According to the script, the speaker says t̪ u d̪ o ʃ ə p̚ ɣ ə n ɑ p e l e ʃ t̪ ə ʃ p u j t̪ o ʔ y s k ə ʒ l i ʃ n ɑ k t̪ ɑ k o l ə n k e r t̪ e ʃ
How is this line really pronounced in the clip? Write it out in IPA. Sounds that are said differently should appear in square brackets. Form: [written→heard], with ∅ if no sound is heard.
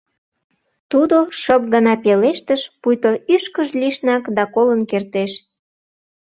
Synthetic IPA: t̪ u d̪ o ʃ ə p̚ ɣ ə n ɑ p e l e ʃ t̪ ə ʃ p u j t̪ o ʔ y [s→ʃ] k ə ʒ l i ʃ n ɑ k [t̪→d̪] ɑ k o l ə n k e r t̪ e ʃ